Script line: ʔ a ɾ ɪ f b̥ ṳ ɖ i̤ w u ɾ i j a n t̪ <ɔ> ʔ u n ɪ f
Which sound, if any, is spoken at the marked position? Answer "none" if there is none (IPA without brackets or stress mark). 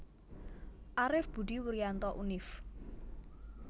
ɔ